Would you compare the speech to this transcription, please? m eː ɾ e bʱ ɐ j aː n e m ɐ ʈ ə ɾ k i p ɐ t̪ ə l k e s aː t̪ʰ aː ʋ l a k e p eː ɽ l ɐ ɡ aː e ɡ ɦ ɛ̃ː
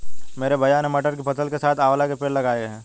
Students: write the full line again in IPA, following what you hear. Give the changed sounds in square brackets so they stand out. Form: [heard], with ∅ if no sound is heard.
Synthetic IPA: m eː ɾ e bʱ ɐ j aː n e m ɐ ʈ ə ɾ k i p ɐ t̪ ə l k e s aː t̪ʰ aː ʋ l a k e p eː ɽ l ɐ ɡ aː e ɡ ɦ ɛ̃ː